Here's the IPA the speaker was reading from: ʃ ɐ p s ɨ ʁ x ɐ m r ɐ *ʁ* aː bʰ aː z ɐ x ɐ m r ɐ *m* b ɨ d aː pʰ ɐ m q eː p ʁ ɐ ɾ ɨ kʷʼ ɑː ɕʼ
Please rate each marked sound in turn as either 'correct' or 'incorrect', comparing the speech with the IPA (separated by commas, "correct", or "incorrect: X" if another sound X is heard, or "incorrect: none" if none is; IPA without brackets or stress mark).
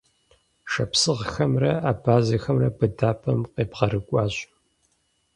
incorrect: none, incorrect: none